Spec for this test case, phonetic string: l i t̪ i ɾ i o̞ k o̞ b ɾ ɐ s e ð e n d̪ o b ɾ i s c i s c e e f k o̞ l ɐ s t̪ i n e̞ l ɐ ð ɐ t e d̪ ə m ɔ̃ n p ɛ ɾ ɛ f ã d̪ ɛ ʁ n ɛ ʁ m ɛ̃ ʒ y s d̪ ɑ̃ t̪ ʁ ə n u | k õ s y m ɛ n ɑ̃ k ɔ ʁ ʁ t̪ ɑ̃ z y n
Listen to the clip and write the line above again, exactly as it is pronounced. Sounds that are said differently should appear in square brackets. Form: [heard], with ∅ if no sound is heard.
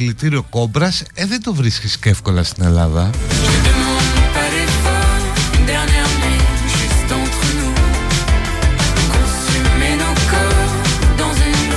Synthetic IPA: l i t̪ i ɾ i o̞ k o̞ b ɾ ɐ s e ð e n d̪ o [v] ɾ i s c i s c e e f k o̞ l ɐ s t̪ i n e̞ l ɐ ð ɐ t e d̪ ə m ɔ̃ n p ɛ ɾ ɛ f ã d̪ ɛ ʁ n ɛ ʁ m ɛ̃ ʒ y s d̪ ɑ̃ t̪ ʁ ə n u | k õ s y m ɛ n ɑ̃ k ɔ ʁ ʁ [d̪] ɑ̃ z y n